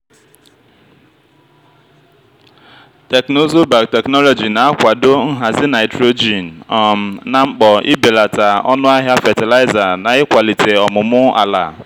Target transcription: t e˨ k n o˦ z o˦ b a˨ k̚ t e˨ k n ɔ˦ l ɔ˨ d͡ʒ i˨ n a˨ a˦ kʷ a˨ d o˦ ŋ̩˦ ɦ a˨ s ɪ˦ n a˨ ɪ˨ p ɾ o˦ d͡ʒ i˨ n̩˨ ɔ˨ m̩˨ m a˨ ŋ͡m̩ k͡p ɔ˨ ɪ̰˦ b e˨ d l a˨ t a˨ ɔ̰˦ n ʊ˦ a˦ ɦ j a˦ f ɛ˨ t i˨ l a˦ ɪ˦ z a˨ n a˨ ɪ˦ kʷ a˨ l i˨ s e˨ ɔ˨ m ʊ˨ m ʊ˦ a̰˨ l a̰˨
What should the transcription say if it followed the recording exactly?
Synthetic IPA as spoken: t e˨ k n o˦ z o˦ b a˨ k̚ t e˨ k n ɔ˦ l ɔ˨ d͡ʒ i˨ n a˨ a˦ kʷ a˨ d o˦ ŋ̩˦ ɦ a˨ z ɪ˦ n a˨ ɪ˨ t ɾ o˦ d͡ʒ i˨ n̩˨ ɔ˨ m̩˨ n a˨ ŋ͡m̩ k͡p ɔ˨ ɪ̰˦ b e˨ l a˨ t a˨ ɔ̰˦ n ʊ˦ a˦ ɦ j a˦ f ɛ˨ t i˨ l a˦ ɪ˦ z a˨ n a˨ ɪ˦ kʷ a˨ l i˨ t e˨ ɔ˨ m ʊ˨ m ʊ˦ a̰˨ l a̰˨